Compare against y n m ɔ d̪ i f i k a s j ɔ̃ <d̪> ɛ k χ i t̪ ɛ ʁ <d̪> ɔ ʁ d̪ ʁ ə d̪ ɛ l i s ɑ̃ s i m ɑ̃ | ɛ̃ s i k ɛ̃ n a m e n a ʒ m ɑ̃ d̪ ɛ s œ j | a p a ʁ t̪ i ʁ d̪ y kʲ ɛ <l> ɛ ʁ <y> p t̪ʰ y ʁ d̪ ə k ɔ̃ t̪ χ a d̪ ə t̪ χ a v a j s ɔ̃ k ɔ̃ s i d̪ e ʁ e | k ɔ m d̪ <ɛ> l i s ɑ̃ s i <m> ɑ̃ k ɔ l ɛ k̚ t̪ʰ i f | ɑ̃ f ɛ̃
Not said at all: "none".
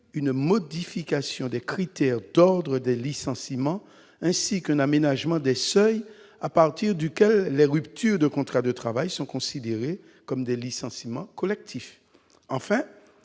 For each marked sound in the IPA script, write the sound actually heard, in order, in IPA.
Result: d̪, d̪, lː, y, ɛ, m

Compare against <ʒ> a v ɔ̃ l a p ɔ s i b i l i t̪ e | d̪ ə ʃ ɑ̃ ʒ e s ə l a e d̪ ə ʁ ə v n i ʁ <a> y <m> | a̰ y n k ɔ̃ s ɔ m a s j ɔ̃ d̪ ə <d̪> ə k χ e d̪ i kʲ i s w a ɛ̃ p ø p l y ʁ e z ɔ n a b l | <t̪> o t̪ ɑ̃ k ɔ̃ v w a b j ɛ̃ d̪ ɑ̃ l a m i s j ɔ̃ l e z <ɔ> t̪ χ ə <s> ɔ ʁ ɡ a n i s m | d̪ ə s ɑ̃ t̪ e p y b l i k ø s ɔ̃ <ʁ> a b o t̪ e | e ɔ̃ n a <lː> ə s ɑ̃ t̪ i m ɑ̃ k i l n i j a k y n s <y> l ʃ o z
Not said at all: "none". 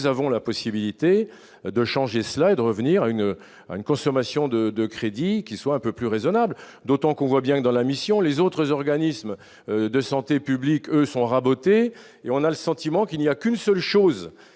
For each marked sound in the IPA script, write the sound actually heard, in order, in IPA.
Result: z, a, n, d̪, d̪, o, z, ʁ, l, œ

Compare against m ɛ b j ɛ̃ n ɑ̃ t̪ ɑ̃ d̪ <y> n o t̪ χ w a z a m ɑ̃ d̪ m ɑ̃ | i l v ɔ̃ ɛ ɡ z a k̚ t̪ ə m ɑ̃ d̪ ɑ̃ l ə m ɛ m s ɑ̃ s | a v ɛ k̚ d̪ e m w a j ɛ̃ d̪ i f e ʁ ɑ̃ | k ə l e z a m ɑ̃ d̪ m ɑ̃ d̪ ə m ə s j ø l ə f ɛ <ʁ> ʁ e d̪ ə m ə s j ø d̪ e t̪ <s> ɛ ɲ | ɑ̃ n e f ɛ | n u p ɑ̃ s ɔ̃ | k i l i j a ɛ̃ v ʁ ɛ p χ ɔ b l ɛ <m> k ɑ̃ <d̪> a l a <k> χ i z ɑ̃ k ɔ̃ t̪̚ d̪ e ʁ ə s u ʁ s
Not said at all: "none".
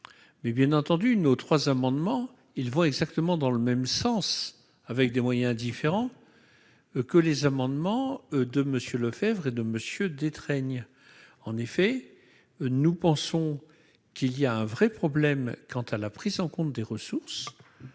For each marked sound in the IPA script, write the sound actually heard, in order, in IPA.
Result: y, v, χ, m, t̪, p

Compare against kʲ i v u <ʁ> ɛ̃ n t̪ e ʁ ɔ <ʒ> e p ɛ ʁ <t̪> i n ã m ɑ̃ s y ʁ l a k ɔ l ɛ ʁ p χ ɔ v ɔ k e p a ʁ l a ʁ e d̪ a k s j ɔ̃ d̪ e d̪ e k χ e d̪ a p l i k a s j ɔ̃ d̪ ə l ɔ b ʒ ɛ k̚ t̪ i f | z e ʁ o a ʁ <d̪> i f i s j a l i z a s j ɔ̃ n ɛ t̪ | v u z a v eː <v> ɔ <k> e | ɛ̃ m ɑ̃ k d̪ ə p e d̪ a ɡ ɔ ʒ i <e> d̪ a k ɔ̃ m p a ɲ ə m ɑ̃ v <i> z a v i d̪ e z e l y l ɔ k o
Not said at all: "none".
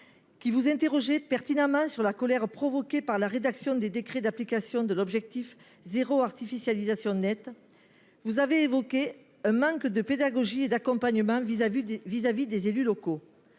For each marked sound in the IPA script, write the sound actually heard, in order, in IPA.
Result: z, ʒ, t̪, t̪, v, k, e, i

